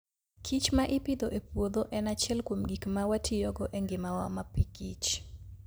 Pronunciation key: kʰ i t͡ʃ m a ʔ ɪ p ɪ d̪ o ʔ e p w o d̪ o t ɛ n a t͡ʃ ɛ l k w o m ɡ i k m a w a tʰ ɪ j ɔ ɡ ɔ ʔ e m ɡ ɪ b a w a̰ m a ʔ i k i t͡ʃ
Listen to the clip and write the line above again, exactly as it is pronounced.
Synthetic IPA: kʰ i t͡ʃ m a ʔ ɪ p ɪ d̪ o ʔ e p w o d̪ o ʔ ɛ n a t͡ʃ ɛ l k w o m ɡ i k m a w a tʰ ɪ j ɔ ɡ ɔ ʔ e ŋ ɡ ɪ m a w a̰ m a p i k i t͡ʃ

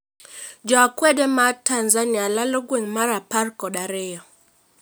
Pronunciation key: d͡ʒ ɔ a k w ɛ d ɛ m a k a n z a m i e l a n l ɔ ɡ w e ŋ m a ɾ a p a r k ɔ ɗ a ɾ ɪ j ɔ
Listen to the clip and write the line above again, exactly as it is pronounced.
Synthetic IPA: d͡ʒ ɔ a k w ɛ d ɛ m a t a n z a n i a l a l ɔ ɡ w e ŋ m a ɾ a p a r k ɔ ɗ a ɾ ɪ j ɔ

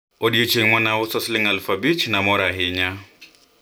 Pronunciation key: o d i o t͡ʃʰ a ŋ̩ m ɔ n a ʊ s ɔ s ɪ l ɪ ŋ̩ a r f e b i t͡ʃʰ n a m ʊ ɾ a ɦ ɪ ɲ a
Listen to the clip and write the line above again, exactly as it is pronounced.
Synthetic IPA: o d i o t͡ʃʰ e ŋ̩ m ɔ n a ʊ s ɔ s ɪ l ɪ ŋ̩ a l f a b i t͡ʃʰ n a m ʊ ɾ a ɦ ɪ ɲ a

